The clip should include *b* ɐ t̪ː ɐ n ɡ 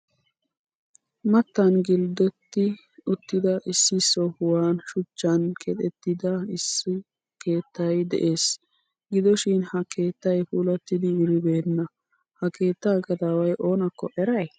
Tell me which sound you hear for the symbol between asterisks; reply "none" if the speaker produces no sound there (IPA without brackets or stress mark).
m